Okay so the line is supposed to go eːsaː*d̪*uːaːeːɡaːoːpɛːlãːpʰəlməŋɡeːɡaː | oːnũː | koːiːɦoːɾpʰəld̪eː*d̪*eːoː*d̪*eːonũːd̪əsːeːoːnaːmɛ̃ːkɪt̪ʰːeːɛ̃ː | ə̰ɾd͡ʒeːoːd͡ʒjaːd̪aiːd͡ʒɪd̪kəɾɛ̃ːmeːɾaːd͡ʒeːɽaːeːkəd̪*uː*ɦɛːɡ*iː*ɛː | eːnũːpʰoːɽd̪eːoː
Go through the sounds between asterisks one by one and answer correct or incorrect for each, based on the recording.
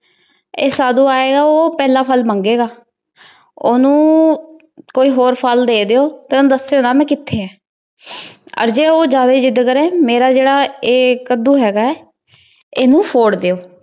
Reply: correct, correct, incorrect, correct, incorrect

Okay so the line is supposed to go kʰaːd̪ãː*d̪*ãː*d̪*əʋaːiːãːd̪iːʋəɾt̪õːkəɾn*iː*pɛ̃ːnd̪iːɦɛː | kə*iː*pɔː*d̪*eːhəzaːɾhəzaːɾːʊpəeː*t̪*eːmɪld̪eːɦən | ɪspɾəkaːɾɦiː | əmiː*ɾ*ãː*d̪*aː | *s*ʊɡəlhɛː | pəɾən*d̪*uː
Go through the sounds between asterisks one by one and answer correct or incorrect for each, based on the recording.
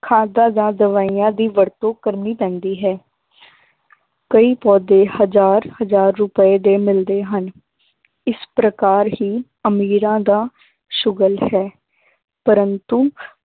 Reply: correct, correct, correct, correct, correct, incorrect, correct, correct, incorrect, incorrect

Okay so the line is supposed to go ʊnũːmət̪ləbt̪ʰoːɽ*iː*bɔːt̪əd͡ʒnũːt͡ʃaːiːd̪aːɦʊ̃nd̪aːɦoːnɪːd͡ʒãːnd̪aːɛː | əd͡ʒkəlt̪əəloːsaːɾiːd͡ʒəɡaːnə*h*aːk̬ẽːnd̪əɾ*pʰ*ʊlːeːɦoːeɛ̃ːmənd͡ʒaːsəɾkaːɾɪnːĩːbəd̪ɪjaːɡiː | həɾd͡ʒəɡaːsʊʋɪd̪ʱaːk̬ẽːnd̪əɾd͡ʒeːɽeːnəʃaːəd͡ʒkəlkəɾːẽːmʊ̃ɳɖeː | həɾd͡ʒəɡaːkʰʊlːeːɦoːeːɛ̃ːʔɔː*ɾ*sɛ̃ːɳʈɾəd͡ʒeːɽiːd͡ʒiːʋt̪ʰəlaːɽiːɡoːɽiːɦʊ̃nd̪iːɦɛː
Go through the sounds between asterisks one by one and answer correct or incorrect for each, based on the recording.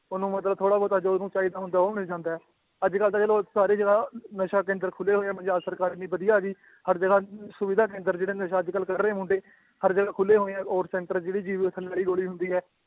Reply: incorrect, incorrect, incorrect, correct

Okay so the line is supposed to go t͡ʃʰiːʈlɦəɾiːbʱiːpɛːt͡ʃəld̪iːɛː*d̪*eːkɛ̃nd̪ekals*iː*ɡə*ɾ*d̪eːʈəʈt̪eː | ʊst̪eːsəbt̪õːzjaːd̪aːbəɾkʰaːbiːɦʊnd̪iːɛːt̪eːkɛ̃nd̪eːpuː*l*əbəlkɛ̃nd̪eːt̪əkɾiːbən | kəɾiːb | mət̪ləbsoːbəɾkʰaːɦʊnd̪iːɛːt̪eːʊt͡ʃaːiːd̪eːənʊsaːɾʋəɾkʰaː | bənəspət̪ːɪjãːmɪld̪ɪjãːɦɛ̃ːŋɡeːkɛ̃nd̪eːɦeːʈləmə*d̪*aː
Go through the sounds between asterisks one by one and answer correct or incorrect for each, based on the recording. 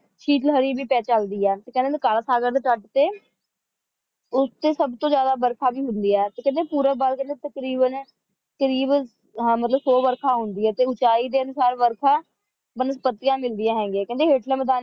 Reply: incorrect, incorrect, correct, incorrect, correct

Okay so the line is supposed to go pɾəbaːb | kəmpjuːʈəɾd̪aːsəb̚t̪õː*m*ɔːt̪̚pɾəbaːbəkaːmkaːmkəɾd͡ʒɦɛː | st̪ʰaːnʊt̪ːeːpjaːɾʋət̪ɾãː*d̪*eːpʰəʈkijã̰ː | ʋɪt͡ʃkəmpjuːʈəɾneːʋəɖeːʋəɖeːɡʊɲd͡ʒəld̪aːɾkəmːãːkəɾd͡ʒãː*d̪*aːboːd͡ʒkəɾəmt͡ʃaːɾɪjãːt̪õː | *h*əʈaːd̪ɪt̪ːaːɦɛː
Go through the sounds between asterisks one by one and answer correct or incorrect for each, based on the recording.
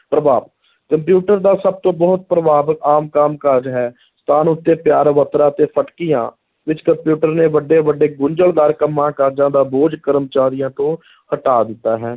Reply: incorrect, incorrect, correct, correct

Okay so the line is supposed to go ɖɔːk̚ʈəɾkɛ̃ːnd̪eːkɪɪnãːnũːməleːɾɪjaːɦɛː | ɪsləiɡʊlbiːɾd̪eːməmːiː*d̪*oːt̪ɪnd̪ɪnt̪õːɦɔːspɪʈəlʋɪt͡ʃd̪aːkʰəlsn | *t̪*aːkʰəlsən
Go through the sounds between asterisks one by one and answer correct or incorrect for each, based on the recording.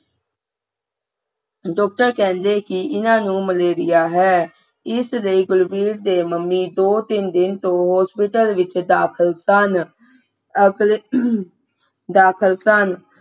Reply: correct, incorrect

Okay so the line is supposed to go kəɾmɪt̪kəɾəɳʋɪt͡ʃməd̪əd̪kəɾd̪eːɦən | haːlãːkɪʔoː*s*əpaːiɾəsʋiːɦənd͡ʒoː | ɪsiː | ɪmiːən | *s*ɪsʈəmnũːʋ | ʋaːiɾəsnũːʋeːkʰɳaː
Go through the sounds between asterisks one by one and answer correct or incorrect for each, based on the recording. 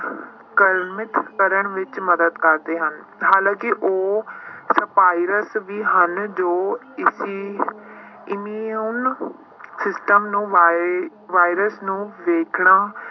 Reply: correct, correct

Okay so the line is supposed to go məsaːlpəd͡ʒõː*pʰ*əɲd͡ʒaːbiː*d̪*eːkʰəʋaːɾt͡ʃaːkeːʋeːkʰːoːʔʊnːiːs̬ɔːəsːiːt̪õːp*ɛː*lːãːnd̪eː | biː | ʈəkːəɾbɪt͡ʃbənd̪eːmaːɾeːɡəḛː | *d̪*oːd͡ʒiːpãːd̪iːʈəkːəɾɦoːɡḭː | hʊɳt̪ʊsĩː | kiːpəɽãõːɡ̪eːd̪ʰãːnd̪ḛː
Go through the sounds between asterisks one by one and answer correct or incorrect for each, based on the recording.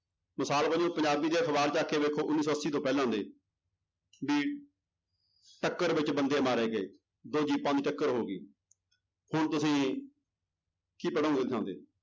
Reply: incorrect, correct, correct, correct

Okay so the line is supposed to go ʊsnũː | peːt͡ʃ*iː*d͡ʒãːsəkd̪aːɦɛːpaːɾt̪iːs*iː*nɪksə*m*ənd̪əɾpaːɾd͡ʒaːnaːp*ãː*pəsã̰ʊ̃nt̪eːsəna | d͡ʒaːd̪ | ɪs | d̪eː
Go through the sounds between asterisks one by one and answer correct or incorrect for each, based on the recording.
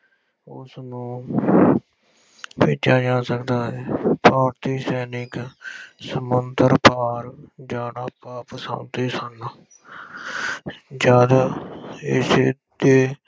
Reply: incorrect, incorrect, correct, incorrect

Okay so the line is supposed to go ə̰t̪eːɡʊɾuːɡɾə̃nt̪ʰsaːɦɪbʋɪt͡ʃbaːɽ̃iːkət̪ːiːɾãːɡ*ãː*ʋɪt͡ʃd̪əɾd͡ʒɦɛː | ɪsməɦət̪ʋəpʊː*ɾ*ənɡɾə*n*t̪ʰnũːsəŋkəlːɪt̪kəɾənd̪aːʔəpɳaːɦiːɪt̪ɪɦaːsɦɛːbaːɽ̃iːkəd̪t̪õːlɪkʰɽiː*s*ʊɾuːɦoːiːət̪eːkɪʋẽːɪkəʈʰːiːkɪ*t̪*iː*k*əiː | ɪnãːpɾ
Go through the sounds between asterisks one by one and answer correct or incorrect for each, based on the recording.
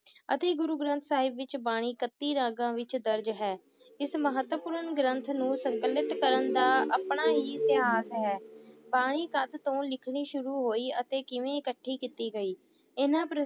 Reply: correct, correct, correct, incorrect, correct, incorrect

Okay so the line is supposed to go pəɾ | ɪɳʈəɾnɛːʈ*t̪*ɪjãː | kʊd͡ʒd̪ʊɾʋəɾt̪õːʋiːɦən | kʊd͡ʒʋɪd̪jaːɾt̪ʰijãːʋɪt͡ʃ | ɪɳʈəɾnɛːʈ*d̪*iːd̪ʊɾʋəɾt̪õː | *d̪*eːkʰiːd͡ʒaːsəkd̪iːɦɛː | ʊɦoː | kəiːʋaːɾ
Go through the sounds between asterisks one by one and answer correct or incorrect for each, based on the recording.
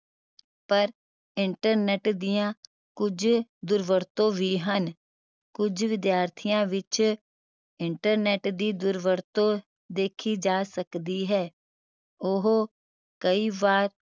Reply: incorrect, correct, correct

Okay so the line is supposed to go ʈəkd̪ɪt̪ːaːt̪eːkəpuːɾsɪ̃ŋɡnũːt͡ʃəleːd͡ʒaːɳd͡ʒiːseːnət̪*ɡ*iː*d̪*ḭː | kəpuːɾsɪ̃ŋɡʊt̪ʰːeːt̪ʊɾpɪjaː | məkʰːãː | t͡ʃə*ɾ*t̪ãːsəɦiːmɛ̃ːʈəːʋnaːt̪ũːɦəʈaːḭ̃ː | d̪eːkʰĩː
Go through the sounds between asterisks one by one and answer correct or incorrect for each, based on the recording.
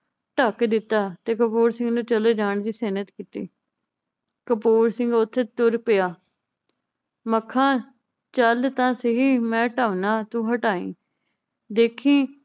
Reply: incorrect, incorrect, incorrect

